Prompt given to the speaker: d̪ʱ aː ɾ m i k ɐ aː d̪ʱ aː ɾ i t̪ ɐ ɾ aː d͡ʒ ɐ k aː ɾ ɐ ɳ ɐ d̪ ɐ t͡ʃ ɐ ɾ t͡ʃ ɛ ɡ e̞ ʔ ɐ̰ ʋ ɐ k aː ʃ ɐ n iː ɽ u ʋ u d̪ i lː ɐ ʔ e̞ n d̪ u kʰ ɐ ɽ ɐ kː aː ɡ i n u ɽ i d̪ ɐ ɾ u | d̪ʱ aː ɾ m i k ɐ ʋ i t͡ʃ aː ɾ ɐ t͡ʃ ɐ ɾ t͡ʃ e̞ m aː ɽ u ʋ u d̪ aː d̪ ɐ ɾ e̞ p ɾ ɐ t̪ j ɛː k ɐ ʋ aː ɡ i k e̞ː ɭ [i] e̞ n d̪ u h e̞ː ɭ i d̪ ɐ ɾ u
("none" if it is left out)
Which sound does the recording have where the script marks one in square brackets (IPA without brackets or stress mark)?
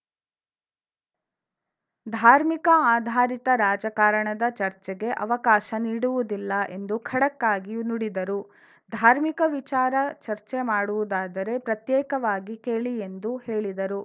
i